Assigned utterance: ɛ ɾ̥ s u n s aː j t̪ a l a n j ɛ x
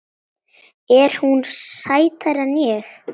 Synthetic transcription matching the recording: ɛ ɾ̥ h u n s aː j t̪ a ɾ a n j ɛ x